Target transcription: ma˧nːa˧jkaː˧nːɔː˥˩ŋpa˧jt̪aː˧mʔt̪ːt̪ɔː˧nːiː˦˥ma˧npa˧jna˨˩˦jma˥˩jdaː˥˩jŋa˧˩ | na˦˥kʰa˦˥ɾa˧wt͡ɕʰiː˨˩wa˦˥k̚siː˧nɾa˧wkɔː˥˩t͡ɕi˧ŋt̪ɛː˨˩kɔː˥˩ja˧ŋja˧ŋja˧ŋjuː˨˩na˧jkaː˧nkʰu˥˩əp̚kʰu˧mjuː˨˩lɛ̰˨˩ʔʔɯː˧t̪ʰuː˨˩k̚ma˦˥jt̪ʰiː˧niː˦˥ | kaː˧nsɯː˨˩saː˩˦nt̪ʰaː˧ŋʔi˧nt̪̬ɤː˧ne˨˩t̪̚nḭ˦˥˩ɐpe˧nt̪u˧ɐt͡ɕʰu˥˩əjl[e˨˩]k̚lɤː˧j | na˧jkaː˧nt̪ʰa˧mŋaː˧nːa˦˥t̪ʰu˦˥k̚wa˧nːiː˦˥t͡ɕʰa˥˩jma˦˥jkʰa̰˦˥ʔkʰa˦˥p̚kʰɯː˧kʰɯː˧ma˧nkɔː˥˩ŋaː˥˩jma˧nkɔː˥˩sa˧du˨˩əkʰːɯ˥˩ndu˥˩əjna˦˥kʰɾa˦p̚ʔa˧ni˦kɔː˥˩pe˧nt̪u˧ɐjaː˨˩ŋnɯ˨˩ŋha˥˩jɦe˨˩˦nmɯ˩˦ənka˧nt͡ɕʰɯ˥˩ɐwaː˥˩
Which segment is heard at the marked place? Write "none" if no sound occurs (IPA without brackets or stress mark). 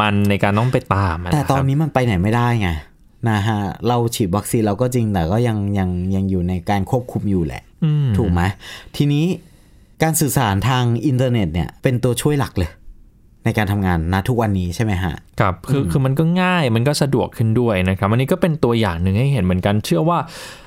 a˨˩